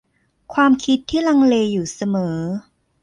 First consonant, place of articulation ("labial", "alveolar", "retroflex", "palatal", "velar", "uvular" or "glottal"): velar